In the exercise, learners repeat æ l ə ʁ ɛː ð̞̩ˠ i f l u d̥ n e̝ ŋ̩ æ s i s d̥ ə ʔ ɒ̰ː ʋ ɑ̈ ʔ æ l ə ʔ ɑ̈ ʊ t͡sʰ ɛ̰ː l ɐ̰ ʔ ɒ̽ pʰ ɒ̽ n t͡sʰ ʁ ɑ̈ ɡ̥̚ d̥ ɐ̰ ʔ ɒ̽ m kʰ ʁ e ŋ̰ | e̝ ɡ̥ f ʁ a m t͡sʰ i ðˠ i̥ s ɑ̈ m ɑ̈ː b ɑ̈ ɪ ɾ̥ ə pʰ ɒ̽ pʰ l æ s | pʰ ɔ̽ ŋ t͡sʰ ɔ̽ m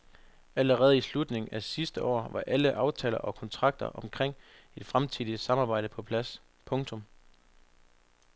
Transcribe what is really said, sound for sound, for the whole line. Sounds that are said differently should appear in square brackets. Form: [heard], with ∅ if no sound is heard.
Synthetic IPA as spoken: æ l ə ʁ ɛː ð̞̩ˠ i [s] l u d̥ n e̝ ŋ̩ æ s i s d̥ ə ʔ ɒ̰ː ʋ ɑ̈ ʔ æ l ə ʔ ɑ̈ ʊ t͡sʰ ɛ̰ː l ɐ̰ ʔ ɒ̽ [kʰ] ɒ̽ n t͡sʰ ʁ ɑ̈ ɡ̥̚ d̥ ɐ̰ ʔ ɒ̽ m kʰ ʁ e ŋ̰ | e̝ [d̥] f ʁ a m t͡sʰ i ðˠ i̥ s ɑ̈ m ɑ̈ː b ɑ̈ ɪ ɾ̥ ə pʰ ɒ̽ pʰ l æ s | pʰ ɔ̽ ŋ t͡sʰ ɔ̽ m

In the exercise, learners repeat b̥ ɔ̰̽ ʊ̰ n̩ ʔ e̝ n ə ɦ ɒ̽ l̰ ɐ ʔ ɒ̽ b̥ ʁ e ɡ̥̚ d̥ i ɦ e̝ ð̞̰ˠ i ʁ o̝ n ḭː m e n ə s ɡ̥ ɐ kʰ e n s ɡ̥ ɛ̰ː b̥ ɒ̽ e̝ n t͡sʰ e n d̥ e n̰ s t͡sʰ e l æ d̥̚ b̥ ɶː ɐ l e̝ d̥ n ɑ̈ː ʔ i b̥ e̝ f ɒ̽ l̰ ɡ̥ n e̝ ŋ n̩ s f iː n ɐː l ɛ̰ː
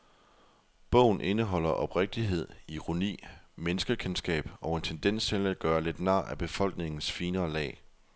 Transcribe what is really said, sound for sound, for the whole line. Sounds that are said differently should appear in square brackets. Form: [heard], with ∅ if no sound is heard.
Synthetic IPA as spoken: b̥ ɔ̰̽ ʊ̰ n̩ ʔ e̝ n ə ɦ ɒ̽ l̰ ɐ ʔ ɒ̽ b̥ ʁ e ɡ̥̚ d̥ i ɦ e̝ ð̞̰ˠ i ʁ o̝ n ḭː m e n ə s ɡ̥ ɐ kʰ e n s ɡ̥ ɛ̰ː b̥ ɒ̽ e̝ n t͡sʰ e n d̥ e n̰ s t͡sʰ e l æ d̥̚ [ɡ̥] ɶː ɐ l e̝ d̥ n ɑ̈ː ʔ [æ] b̥ e̝ f ɒ̽ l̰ ɡ̥ n e̝ ŋ n̩ s f iː n ɐː l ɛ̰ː

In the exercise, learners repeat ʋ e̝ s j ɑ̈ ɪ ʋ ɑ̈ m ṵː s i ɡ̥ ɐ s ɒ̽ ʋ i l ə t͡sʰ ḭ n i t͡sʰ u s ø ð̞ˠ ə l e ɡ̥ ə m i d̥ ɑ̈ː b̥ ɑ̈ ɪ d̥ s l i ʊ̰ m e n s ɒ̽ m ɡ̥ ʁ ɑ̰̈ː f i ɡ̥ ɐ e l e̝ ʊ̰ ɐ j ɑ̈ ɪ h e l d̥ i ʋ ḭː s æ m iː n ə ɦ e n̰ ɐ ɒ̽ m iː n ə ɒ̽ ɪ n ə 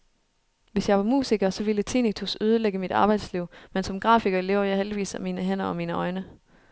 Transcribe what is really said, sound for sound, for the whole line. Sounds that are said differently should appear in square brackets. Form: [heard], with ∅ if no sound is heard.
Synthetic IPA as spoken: ʋ e̝ s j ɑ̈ ɪ ʋ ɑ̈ m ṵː s i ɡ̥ ɐ s ɒ̽ ʋ i l ə t͡sʰ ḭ n i t͡sʰ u s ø ð̞ˠ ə l e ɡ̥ ə m i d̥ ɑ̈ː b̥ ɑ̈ ɪ d̥ s l i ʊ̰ m e n s ɒ̽ m ɡ̥ ʁ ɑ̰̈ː f i ɡ̥ ɐ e l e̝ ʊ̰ ɐ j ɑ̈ ɪ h e l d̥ i ʋ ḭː s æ m iː n ə ɦ e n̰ ɐ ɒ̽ m iː n ə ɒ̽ ɪ n ə

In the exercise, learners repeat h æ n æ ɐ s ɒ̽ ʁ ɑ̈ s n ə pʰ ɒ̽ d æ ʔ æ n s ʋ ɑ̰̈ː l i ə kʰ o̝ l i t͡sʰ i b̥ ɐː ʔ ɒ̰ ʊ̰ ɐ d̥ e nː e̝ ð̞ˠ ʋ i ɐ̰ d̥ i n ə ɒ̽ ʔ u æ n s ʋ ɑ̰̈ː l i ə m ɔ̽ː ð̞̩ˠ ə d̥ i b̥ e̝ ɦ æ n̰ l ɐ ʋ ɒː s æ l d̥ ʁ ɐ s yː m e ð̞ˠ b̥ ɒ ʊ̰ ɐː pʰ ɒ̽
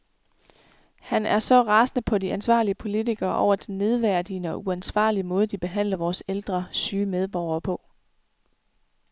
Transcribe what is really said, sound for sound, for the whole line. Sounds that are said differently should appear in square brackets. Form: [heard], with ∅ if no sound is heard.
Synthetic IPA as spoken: h æ n æ ɐ s ɒ̽ ʁ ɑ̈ s n ə pʰ ɒ̽ d [i] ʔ æ n s ʋ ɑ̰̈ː l i ə [pʰ] o̝ l i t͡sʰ i [ɡ̥] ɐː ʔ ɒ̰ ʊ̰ ɐ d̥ e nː e̝ ð̞ˠ ʋ [æ] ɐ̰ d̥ i n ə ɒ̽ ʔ u æ n s ʋ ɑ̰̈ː l i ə m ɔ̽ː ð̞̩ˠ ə d̥ i b̥ e̝ ɦ æ n̰ l ɐ ʋ ɒː s [e] l d̥ ʁ ɐ s yː m e ð̞ˠ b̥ ɒ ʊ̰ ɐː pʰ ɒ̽

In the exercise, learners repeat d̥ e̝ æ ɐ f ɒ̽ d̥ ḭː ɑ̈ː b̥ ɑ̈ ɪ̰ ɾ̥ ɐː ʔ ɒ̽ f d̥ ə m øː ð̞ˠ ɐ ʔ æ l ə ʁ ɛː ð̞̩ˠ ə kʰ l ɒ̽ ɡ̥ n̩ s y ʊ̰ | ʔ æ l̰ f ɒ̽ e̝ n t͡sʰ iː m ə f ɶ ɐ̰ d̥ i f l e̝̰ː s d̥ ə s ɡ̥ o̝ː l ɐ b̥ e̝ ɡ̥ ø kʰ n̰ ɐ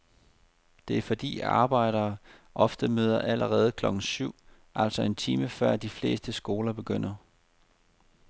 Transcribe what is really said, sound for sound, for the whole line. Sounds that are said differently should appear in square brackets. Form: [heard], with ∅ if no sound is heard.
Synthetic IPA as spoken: d̥ e̝ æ ɐ f ɒ̽ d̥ ḭː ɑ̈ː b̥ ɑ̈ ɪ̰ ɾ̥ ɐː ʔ ɒ̽ f d̥ ə m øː ð̞ˠ ɐ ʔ æ l ə ʁ ɛː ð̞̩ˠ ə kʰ l ɒ̽ ɡ̥ n̩ s y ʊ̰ | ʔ æ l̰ [s] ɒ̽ e̝ n t͡sʰ iː m ə f ɶ ɐ̰ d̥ i f l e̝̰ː s d̥ ə s ɡ̥ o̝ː l ɐ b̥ e̝ ɡ̥ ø [∅] n̰ ɐ

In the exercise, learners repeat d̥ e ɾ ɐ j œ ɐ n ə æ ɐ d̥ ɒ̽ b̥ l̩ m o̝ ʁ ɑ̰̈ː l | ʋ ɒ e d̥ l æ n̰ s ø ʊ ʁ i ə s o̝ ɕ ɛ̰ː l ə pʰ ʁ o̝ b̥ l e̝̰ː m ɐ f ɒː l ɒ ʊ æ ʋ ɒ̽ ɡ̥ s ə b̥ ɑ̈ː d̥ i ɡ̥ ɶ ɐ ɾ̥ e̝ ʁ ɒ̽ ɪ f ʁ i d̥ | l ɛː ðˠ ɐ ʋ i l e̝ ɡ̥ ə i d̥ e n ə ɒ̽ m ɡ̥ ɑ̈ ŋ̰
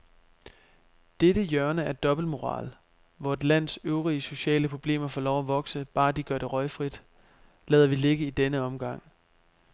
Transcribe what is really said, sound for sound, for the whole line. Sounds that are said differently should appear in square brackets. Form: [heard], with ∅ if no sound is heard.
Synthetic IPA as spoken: d̥ e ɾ [ə] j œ ɐ n ə æ ɐ d̥ ɒ̽ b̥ l̩ m o̝ ʁ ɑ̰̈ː l | ʋ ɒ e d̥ l æ n̰ s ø ʊ ʁ i ə s o̝ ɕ ɛ̰ː l ə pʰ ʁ o̝ b̥ l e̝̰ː m ɐ f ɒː l ɒ ʊ æ ʋ ɒ̽ ɡ̥ s ə b̥ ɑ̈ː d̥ i ɡ̥ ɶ ɐ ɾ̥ e̝ ʁ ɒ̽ ɪ f ʁ i d̥ | l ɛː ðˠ ɐ ʋ i l e̝ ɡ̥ ə i d̥ e n ə ɒ̽ m ɡ̥ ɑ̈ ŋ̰

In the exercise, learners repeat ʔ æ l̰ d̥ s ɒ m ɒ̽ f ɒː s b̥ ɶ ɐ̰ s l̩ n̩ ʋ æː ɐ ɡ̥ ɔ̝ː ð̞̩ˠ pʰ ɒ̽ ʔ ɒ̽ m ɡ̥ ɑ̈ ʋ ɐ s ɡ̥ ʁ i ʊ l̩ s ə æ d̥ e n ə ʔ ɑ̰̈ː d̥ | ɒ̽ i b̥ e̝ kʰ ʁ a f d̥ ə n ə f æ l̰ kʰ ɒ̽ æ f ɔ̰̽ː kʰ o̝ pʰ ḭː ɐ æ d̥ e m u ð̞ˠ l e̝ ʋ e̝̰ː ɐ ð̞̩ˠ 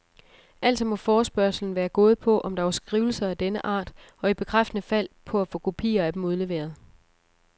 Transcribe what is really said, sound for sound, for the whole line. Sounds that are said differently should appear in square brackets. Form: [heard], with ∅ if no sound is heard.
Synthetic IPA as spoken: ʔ æ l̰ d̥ s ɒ m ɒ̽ f ɒː s b̥ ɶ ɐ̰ s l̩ n̩ ʋ æː ɐ ɡ̥ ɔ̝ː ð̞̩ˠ pʰ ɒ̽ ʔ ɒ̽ m [d̥] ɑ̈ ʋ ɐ s ɡ̥ ʁ i ʊ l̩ s [ɐ] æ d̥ e n ə ʔ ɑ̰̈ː d̥ | ɒ̽ i b̥ e̝ kʰ ʁ a f d̥ ə n ə f æ l̰ [pʰ] ɒ̽ æ f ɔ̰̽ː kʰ o̝ pʰ ḭː ɐ æ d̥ e m u ð̞ˠ l e̝ ʋ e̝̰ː ɐ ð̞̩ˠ

